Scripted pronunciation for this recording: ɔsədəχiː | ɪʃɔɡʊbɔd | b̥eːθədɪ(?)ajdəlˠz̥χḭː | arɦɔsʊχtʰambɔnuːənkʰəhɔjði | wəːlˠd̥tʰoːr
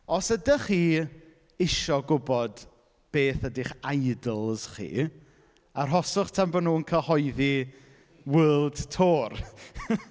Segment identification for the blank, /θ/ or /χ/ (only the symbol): χ